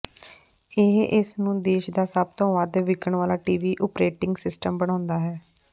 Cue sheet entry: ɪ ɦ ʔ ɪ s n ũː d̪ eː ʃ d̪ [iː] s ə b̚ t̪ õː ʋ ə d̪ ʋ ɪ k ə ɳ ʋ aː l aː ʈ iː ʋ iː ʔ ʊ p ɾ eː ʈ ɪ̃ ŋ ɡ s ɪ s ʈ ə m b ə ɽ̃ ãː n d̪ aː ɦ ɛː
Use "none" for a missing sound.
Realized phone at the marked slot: aː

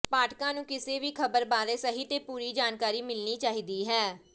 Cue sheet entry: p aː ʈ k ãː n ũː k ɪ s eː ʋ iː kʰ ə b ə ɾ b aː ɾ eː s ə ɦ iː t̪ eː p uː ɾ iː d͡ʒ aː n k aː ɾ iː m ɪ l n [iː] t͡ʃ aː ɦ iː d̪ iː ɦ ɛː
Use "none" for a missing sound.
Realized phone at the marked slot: iː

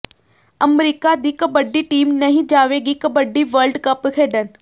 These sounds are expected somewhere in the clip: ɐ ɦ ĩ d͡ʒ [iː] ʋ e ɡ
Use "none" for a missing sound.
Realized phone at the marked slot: aː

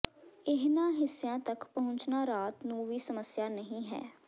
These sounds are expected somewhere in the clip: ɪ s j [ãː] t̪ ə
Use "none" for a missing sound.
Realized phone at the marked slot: ãː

